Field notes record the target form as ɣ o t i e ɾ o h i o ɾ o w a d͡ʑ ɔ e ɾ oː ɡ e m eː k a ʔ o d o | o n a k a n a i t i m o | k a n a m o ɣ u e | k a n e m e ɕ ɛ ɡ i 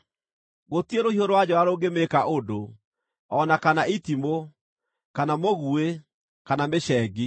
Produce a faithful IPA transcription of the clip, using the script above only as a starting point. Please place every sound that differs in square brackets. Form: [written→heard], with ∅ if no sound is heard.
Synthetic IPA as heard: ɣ o t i e ɾ o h i o ɾ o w a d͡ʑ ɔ [e→a] ɾ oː ɡ e m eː k a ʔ o d o | [o→ɔ] n a k a n a i t i m o | k a n a m o ɣ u e | k a n [e→a] m e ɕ ɛ ɡ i